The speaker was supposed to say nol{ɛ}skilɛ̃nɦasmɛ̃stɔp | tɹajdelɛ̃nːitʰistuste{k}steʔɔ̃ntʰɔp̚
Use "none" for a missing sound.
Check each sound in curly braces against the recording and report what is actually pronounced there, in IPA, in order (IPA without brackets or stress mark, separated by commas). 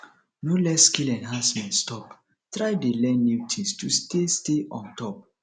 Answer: ɛ, none